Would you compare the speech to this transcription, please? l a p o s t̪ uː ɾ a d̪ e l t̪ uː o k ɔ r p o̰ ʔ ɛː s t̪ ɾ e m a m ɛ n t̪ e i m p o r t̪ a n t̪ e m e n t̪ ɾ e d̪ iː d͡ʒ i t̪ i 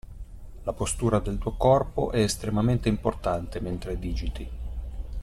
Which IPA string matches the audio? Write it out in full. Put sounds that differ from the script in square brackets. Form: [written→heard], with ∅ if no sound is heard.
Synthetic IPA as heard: l a p o s t̪ uː ɾ a d̪ e l t̪ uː o k ɔ r p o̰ ʔ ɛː s t̪ ɾ e m a m [ɛ→e] n t̪ e i m p o r t̪ a n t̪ e m e n t̪ ɾ e d̪ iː d͡ʒ i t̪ i